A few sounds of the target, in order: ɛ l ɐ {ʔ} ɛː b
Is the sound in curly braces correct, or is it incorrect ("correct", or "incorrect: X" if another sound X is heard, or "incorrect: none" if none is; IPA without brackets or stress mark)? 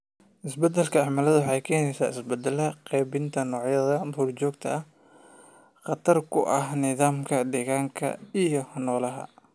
incorrect: q